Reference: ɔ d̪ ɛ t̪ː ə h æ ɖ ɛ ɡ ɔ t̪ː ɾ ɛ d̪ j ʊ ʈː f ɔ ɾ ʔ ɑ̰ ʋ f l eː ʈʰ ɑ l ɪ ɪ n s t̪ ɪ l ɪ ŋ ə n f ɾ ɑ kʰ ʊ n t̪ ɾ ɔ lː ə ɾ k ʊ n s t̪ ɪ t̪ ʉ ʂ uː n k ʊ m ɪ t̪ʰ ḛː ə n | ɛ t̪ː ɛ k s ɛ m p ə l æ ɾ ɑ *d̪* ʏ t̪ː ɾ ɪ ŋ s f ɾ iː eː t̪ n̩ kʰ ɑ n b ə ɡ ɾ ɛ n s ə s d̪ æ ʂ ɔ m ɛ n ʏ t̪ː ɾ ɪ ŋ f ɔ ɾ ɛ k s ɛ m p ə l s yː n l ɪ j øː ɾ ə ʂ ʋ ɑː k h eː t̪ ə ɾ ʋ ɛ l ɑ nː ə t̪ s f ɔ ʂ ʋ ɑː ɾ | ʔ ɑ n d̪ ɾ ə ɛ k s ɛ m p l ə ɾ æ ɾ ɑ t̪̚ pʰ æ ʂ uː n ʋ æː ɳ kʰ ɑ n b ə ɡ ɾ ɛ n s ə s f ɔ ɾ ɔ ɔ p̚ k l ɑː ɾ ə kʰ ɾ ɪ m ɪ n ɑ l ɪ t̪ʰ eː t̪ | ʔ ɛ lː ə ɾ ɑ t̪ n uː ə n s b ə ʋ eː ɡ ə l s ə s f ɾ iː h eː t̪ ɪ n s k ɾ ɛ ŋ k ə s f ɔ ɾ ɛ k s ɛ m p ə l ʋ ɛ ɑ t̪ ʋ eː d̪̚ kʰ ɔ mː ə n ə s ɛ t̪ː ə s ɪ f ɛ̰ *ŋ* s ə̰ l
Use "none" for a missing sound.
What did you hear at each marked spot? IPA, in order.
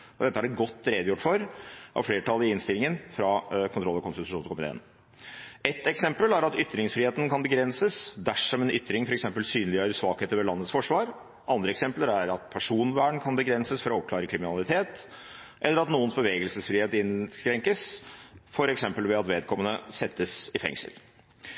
t̪, ŋ

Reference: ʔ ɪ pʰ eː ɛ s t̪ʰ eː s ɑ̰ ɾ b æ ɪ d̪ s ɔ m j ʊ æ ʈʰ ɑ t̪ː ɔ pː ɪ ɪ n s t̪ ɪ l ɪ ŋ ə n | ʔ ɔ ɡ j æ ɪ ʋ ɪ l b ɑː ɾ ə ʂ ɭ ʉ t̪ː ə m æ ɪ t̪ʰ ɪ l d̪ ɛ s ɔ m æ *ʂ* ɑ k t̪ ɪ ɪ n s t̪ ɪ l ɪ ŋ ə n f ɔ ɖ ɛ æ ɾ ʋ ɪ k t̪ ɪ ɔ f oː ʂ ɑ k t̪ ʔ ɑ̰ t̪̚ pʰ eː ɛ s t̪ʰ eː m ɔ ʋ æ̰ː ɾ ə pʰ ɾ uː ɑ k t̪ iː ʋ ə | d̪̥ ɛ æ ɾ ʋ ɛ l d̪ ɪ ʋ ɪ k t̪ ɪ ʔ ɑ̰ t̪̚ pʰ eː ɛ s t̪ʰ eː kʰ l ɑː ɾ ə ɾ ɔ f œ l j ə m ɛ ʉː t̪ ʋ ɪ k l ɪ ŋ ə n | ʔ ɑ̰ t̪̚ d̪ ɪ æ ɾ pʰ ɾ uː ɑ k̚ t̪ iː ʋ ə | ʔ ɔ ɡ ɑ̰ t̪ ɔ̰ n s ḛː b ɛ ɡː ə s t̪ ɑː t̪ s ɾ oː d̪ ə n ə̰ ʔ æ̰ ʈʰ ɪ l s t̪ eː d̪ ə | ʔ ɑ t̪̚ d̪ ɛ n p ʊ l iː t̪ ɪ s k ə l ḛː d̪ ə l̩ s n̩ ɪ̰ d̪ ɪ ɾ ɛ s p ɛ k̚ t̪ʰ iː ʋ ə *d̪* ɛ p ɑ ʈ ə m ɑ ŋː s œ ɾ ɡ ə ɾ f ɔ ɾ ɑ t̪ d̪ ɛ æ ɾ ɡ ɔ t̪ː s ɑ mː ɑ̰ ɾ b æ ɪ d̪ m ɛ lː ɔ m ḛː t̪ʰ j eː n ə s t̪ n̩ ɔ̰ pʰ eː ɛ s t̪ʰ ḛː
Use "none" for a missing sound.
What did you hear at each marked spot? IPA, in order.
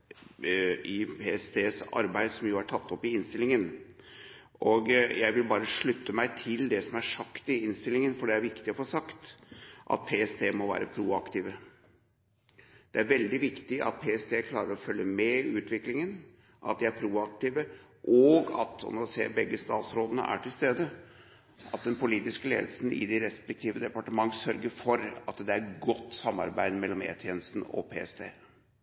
ʂ, d̪

